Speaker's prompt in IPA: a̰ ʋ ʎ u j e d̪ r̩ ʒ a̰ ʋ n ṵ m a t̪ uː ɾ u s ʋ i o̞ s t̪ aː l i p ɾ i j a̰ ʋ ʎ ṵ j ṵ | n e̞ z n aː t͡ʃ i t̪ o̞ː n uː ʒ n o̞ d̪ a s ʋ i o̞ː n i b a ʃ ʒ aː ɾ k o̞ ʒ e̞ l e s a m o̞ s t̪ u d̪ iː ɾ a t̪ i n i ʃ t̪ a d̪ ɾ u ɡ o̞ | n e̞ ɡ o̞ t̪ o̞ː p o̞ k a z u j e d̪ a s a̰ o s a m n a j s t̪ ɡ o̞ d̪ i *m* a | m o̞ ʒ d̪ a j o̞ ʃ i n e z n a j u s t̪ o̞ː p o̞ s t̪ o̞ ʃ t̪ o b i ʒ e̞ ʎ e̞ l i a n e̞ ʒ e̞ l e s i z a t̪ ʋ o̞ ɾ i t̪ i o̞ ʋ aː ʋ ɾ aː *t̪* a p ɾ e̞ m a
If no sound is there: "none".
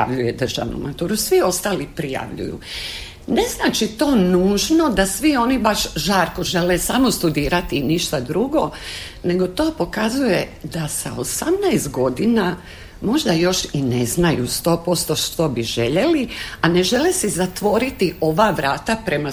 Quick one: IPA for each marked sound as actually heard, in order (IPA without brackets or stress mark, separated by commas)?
n, t̪